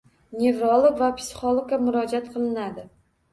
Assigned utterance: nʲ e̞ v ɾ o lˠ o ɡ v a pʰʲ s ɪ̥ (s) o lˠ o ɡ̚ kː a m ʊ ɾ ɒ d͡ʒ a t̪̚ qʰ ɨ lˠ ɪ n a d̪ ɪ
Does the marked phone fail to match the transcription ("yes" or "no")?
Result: yes